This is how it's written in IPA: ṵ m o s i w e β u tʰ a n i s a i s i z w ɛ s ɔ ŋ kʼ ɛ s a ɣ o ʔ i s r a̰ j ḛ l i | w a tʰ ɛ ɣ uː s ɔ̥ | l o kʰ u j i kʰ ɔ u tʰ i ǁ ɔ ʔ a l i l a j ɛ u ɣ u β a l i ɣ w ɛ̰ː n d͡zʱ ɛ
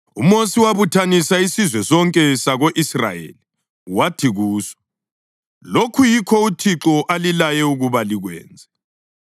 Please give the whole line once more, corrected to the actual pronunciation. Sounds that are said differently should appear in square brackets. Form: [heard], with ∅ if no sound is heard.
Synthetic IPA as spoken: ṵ m o s i w [a] β u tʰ a n i s a i s i z w ɛ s ɔ ŋ kʼ ɛ s a ɣ o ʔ i s r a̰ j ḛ l i | w a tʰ [i] ɣ uː s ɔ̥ | l o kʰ u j i kʰ ɔ u tʰ i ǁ ɔ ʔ a l i l a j ɛ u ɣ u β a l i ɣ w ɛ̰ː n d͡zʱ ɛ